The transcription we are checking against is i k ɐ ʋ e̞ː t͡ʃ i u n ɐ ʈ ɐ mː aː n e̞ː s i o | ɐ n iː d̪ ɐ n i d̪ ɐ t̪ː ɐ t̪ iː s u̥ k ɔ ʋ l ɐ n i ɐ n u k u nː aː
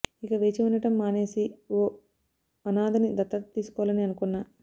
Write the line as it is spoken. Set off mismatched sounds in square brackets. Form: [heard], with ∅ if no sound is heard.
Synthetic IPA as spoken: i k ɐ ʋ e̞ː t͡ʃ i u n ɐ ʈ ɐ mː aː n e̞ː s i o | ɐ n [aː] d̪ ɐ n i d̪ ɐ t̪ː ɐ t̪ iː s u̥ k ɔ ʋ l ɐ n i ɐ n u k u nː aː